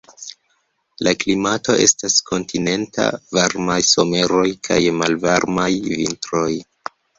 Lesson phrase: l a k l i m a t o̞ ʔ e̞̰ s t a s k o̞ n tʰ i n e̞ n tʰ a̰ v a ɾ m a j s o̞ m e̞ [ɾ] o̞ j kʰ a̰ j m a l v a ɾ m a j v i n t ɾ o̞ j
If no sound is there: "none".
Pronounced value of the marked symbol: ɾ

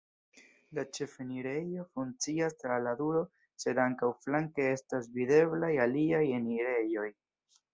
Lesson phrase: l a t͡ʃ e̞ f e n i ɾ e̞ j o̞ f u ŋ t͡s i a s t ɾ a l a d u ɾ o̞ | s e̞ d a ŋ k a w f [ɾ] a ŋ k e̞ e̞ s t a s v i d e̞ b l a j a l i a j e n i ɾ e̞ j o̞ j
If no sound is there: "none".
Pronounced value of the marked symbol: l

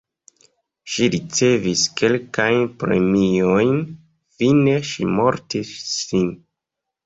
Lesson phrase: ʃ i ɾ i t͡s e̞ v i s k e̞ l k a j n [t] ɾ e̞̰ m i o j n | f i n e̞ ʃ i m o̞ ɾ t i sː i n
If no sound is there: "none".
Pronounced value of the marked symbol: p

